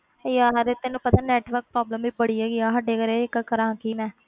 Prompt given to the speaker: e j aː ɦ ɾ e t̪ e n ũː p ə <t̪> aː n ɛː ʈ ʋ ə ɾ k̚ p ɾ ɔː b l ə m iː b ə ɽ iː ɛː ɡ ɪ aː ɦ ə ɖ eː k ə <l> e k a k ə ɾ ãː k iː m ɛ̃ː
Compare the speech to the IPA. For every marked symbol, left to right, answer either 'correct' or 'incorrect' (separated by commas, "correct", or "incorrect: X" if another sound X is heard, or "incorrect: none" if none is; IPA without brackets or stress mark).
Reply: correct, incorrect: ɾ